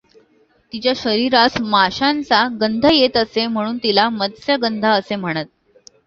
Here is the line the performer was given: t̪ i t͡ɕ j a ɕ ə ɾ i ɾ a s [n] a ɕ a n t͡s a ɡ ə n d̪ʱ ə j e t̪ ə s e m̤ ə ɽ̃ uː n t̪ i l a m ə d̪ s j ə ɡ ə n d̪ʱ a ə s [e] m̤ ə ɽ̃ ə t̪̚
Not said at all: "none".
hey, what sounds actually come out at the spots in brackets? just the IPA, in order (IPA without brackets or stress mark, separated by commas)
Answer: m, e